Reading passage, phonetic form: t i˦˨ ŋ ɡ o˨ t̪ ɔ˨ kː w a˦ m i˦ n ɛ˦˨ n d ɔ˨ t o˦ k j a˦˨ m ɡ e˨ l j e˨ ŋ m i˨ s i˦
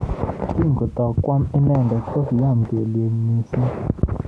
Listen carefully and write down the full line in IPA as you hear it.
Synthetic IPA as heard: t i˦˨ ŋ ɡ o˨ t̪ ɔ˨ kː w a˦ m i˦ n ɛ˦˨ n d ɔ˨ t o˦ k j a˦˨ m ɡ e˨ l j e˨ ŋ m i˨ s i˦

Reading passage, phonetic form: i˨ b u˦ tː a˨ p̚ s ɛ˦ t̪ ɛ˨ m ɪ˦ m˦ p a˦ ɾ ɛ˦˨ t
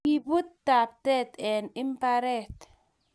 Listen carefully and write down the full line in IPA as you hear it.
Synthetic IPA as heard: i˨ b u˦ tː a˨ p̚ t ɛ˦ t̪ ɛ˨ n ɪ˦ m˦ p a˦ ɾ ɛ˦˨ t

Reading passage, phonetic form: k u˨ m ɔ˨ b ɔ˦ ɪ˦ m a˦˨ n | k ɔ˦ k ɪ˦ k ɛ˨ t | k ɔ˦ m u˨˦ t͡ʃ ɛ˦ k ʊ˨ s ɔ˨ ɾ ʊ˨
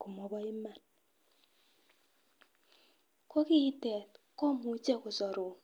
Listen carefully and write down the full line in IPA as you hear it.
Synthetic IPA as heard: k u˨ m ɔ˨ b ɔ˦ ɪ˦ m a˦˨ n | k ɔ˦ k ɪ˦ t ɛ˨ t | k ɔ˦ m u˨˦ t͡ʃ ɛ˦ k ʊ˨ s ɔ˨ ɾ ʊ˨

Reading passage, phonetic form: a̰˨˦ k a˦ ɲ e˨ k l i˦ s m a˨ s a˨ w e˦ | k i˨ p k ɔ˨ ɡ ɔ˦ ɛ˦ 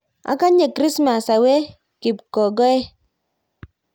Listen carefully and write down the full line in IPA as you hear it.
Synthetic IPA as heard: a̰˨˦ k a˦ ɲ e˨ k ɾ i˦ s m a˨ s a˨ w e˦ | k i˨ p k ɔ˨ ɡ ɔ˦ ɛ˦

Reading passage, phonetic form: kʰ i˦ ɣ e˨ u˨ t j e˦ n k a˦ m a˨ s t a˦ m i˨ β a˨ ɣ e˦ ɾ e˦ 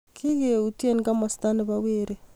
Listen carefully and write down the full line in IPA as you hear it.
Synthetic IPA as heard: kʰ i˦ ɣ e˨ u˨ t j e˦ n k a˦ m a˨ s t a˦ n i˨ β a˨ w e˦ ɾ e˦

